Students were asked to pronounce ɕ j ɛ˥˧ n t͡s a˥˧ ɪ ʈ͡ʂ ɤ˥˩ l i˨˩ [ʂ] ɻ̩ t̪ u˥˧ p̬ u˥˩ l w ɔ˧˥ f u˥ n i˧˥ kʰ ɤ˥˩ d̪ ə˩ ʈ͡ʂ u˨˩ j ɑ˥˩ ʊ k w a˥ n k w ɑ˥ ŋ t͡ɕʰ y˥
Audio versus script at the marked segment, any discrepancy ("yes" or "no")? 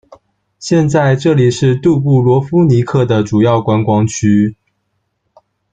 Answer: no